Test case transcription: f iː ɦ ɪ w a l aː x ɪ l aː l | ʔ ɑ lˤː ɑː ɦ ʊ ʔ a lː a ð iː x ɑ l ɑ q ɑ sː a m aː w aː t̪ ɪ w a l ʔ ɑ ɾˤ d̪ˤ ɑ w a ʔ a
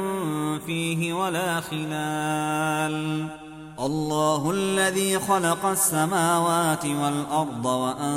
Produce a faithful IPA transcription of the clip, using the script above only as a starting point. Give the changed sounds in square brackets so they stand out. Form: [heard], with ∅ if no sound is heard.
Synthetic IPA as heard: f iː ɦ ɪ w a l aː x ɪ l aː l | ʔ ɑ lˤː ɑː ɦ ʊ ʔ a lː a ð iː x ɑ l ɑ q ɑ sː a m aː w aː t̪ ɪ w a l ʔ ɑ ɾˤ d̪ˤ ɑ w a ʔ a